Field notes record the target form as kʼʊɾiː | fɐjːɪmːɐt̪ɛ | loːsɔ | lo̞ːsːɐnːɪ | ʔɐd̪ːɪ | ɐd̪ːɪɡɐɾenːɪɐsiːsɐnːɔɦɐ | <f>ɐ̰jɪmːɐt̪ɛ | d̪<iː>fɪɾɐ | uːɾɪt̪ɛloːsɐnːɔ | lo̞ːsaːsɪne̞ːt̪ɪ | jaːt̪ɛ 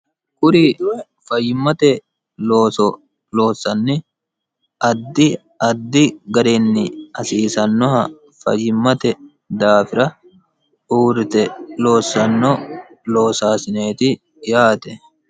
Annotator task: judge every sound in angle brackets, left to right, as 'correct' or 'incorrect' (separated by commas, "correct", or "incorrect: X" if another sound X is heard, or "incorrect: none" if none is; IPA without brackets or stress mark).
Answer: correct, incorrect: aː